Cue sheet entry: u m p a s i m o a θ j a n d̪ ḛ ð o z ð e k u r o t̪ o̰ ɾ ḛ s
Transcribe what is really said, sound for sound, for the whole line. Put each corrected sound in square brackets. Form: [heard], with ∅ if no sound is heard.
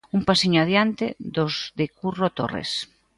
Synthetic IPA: u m p a s i [ɲ] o a [ð] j a n [t̪] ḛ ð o z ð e k u r o t̪ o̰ [r] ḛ s